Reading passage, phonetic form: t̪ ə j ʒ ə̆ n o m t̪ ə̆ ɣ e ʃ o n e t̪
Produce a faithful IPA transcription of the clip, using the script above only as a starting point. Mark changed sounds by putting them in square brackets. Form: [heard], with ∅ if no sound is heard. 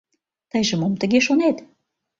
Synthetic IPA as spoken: t̪ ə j ʒ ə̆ [m] o m t̪ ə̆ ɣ e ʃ o n e t̪